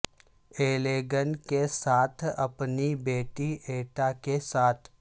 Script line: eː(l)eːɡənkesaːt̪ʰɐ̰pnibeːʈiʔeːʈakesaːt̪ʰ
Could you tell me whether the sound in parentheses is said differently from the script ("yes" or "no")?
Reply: no